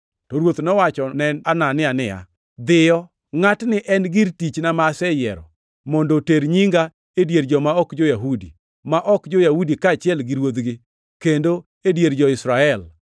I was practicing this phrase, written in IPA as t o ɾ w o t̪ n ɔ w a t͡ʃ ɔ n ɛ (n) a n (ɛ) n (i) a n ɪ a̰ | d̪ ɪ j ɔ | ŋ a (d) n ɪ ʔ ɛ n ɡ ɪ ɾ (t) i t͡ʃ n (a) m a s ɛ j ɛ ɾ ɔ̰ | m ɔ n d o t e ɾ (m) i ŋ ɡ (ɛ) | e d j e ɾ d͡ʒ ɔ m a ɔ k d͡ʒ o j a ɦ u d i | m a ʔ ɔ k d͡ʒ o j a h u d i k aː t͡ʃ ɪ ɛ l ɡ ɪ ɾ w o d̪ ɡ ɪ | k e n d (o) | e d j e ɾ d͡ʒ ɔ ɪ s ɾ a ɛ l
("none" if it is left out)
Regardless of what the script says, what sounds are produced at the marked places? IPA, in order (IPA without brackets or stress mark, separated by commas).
n, a, ɪ, t, t, a, ɲ, a, o